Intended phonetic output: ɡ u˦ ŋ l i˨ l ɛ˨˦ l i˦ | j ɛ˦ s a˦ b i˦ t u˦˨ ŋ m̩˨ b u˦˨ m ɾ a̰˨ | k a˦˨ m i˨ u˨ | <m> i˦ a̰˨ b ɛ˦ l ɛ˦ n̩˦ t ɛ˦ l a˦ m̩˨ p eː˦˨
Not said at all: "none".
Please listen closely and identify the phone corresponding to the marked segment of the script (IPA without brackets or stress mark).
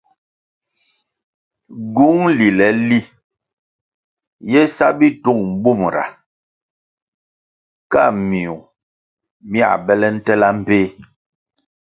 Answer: m